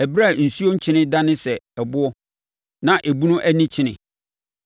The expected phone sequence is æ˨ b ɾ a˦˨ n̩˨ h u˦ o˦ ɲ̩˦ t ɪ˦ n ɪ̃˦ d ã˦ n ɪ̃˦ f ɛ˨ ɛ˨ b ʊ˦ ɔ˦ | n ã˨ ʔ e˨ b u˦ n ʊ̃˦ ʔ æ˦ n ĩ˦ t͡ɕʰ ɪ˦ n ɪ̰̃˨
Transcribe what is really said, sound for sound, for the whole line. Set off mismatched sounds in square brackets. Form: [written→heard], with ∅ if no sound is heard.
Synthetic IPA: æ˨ b ɾ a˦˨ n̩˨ [h→s] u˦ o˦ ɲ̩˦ [t→t͡ɕʰ] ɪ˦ n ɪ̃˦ d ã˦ n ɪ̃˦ [f→s] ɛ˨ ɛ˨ b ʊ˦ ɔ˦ | n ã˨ ʔ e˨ b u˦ n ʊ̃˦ ʔ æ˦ n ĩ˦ t͡ɕʰ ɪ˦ n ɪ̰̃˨